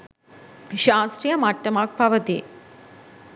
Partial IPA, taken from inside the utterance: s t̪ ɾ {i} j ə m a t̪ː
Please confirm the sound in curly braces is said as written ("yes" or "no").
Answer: yes